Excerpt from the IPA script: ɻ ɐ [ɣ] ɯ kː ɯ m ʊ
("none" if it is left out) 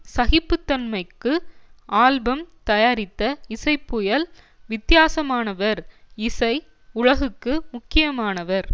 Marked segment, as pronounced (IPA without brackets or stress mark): ɣ